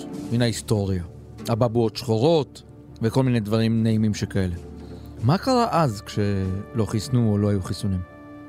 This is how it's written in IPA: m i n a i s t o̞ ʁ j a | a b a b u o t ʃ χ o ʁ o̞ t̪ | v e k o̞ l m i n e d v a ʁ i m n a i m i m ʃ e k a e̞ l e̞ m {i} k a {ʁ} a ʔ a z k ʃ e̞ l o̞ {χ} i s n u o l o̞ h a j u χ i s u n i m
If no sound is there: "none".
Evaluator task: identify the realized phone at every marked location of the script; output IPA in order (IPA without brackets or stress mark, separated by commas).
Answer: a, ʁ, χ